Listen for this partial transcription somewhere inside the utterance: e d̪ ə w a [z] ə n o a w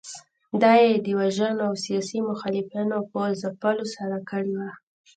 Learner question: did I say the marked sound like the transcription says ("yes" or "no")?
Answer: no